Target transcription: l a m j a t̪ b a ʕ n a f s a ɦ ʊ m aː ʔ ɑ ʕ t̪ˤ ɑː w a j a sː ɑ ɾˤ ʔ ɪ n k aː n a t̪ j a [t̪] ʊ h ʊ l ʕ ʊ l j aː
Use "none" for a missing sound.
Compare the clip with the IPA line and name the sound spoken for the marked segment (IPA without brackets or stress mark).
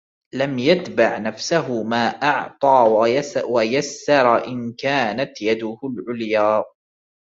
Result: d̪